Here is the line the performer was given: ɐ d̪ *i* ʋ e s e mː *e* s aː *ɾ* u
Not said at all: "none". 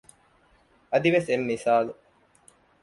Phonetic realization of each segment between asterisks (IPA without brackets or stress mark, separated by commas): i, i, l